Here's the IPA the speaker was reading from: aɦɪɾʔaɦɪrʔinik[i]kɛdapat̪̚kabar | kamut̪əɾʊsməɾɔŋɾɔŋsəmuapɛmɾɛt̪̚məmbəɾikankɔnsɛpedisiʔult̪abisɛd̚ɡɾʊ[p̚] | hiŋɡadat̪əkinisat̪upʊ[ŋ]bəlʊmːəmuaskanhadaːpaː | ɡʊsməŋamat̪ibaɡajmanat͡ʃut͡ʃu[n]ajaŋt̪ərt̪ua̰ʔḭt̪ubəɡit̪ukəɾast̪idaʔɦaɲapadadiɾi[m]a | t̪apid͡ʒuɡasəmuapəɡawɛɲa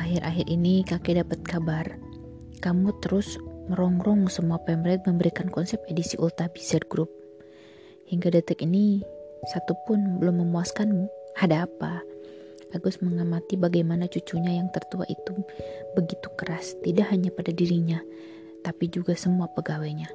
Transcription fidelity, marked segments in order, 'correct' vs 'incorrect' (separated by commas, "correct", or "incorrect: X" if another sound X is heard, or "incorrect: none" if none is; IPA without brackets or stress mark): incorrect: a, correct, incorrect: n, incorrect: ɲ, incorrect: ɲ